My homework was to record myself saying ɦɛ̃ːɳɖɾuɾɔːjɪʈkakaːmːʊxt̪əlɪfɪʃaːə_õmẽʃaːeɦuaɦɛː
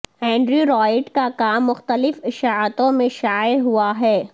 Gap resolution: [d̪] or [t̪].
t̪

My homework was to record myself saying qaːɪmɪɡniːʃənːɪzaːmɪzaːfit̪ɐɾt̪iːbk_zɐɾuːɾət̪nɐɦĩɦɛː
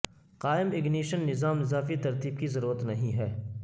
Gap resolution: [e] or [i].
i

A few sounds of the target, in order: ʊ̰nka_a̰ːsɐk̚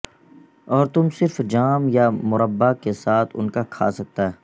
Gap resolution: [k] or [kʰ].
kʰ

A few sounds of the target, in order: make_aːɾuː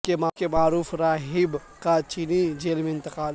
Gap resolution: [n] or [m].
m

